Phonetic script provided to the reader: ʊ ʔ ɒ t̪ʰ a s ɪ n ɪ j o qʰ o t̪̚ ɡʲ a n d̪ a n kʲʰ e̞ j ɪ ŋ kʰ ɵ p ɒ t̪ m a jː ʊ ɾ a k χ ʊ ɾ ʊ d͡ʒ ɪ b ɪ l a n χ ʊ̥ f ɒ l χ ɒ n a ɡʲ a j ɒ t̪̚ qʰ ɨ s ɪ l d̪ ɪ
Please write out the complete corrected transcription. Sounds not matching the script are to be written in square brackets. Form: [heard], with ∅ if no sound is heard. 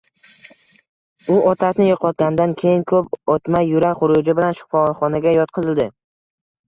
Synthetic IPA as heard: ʊ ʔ ɒ t̪ʰ a s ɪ n ɪ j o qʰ [ɒ] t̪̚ ɡʲ a n d̪ a n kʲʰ e̞ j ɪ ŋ kʰ ɵ p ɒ t̪ m a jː ʊ ɾ a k χ ʊ ɾ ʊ d͡ʒ ɪ b ɪ l a n [ʃ] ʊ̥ f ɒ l χ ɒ n a ɡʲ a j ɒ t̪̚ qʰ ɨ [z] ɪ l d̪ ɪ

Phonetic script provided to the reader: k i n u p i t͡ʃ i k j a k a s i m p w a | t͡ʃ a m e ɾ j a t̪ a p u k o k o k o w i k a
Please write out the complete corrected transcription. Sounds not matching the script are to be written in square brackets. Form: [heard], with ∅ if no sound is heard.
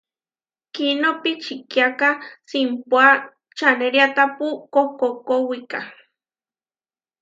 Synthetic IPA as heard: k i n [o] p i t͡ʃ i k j a k a s i m p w a | t͡ʃ a [n] e ɾ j a t̪ a p u k o k o k o w i k a

